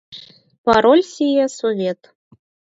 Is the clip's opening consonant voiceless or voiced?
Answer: voiceless